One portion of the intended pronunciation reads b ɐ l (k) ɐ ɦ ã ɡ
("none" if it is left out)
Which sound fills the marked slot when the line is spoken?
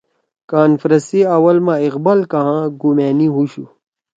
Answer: k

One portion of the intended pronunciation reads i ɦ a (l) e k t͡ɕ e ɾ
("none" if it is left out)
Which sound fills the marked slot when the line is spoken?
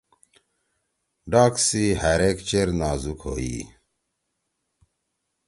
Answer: ɾ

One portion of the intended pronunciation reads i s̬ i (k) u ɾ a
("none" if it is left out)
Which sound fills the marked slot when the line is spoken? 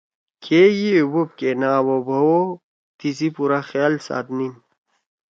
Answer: p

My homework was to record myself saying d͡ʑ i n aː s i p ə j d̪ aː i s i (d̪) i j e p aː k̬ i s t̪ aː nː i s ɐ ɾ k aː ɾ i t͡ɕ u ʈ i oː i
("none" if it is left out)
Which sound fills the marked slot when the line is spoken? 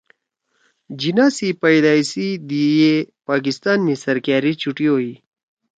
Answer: d̪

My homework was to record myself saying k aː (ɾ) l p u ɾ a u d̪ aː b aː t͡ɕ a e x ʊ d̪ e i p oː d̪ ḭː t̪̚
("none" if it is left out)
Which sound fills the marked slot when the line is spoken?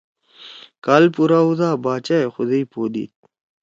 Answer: none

